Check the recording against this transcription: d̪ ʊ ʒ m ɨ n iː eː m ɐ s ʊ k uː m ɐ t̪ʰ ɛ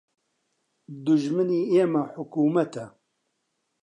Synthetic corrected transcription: d̪ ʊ ʒ m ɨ n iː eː m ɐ ħ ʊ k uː m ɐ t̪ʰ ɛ